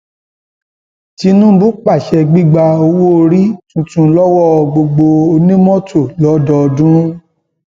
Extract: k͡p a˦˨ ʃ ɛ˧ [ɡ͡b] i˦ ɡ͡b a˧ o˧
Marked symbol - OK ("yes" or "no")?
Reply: yes